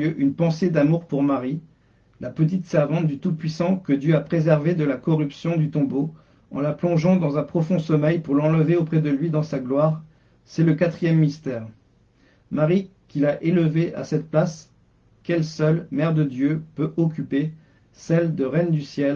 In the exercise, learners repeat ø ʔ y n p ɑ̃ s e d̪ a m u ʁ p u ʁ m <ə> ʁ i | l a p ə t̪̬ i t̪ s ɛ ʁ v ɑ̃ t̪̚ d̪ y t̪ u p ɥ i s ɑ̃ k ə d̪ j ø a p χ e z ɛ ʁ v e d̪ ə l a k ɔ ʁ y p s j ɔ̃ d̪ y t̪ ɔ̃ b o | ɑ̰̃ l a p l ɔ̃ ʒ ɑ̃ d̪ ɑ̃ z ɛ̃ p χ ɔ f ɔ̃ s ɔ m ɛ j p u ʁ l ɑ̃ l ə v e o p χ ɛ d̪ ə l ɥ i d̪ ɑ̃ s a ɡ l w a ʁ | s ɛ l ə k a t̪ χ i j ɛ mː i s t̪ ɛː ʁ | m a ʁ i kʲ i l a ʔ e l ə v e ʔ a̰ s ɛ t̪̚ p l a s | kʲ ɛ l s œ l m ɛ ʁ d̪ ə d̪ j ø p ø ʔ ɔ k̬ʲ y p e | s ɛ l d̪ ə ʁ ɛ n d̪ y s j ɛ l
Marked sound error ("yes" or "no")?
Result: yes